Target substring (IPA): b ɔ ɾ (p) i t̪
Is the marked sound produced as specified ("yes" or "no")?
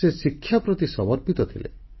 yes